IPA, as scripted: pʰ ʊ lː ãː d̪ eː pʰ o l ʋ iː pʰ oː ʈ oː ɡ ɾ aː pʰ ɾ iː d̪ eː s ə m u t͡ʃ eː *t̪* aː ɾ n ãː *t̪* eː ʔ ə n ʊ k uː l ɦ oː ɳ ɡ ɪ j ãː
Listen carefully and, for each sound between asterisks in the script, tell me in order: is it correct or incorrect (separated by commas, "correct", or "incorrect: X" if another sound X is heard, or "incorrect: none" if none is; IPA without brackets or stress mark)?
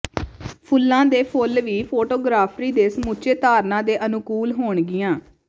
correct, incorrect: d̪